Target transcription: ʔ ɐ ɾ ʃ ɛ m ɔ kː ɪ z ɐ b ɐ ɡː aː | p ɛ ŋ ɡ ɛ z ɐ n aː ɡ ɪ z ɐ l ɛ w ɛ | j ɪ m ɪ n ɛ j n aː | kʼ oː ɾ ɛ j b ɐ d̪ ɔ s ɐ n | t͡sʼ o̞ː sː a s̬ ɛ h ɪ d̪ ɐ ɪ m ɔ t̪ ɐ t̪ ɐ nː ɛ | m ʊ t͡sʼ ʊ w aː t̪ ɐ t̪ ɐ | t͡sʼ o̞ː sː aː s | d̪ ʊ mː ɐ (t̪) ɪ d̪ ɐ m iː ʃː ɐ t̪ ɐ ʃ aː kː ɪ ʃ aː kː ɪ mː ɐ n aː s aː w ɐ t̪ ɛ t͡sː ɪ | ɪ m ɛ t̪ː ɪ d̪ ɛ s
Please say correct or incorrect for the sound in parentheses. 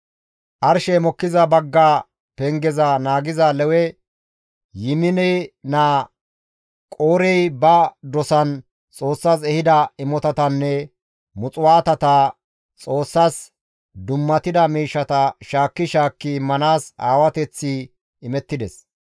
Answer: correct